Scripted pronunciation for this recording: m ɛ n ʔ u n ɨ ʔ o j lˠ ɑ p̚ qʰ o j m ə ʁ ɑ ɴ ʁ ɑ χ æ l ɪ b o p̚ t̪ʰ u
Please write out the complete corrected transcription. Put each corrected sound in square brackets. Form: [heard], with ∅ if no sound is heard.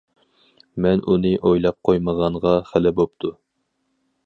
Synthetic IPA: m ɛ n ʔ u n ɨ ʔ o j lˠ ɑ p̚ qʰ o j m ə ʁ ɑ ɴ ʁ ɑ χ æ l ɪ b o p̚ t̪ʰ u